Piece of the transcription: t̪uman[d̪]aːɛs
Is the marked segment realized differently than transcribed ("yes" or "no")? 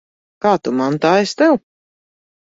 yes